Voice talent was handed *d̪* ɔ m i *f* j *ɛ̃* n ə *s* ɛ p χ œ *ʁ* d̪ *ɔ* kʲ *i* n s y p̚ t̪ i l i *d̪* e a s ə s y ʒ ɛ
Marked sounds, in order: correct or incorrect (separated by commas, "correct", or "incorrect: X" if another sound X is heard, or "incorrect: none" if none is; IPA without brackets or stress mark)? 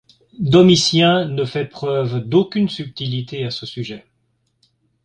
correct, incorrect: s, correct, incorrect: f, incorrect: v, incorrect: o, incorrect: y, incorrect: t̪